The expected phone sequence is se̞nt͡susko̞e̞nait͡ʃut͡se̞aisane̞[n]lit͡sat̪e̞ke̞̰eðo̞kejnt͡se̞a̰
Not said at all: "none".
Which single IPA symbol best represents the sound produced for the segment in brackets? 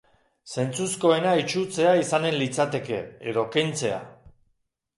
n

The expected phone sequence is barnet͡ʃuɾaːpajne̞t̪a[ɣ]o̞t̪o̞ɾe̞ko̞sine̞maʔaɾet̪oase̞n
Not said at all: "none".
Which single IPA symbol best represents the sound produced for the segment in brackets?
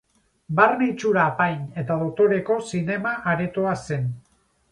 ð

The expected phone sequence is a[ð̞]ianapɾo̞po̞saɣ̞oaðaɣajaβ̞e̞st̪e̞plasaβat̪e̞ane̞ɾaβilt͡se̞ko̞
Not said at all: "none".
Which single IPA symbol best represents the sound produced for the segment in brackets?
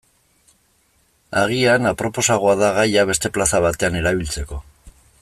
ɣ̞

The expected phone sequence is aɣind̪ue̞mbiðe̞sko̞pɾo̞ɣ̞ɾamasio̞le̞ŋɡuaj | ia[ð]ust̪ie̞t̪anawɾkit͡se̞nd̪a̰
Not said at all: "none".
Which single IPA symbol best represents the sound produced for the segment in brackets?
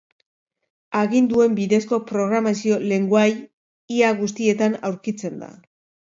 ɣ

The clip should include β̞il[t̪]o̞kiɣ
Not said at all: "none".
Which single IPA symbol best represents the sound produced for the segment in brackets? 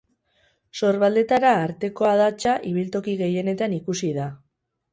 t̪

